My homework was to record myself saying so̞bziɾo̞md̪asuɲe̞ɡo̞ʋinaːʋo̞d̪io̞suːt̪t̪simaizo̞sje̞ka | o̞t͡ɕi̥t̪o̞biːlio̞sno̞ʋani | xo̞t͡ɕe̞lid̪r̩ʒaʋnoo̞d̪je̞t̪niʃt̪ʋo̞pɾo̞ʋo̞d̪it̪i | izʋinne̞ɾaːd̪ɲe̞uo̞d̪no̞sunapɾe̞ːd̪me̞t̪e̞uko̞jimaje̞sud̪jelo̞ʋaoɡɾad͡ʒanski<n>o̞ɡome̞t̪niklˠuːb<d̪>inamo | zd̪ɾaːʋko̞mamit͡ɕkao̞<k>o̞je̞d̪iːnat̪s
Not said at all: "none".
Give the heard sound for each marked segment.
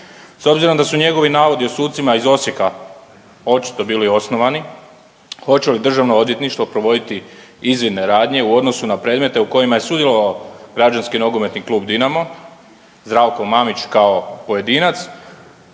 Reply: n, d̪, p

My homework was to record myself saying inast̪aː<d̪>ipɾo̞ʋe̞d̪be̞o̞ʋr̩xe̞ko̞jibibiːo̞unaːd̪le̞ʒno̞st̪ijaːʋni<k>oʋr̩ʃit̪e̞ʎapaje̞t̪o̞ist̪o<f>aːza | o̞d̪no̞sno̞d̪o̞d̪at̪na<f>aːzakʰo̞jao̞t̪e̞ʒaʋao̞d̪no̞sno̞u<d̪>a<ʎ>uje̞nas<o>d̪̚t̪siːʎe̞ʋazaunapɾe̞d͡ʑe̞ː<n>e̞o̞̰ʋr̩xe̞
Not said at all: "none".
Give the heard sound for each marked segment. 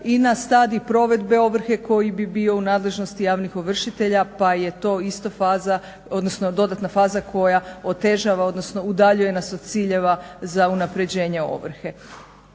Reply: d̪, x, f, f, d̪, ʎ, o, ɲ

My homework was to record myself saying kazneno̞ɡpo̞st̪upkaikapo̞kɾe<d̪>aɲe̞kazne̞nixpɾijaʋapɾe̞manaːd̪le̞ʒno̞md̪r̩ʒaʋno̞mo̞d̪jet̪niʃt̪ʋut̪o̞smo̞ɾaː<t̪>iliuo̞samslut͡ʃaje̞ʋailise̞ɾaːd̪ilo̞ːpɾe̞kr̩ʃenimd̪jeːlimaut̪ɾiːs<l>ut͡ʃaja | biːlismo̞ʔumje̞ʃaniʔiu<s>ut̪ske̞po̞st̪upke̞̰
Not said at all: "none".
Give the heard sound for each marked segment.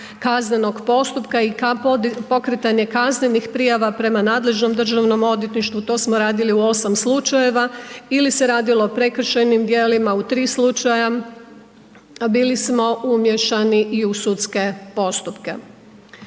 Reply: t̪, d̪, l, s

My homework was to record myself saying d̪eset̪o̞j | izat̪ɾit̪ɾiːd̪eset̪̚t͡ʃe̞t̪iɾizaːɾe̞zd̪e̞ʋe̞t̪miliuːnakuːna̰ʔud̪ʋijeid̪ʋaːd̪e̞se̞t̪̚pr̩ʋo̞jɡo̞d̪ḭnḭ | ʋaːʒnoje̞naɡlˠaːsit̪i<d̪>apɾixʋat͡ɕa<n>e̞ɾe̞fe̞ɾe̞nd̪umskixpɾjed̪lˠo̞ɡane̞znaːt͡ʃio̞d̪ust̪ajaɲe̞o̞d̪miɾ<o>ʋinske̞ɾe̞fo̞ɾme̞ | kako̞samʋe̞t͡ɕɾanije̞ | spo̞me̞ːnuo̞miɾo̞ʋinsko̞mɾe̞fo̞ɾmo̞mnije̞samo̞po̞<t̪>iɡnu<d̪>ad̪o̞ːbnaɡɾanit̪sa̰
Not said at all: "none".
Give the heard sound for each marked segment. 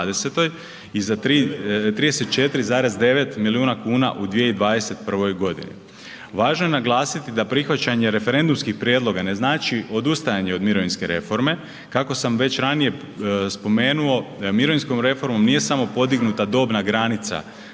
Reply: d̪, ɲ, o, d̪, t̪

